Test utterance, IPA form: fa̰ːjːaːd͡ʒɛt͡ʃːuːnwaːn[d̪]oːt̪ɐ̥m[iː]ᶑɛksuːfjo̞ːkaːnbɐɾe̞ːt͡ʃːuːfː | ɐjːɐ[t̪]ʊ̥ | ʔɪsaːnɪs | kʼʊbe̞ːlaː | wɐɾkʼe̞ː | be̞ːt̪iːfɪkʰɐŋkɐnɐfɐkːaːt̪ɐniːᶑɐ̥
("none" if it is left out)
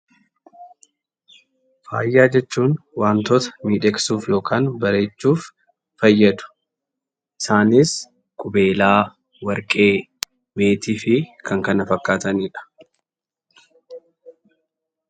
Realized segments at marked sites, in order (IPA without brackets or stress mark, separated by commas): t̪, iː, d̪